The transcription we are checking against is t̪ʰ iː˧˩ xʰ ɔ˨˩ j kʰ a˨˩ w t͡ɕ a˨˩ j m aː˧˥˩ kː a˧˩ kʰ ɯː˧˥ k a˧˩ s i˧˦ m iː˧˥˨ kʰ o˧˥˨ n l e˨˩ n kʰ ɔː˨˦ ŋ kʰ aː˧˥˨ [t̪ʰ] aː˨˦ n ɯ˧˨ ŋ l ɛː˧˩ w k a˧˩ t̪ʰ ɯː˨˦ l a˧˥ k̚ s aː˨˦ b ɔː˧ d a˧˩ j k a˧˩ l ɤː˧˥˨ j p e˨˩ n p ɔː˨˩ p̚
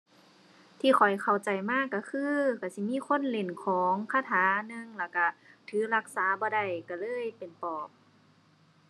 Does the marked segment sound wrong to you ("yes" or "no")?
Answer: no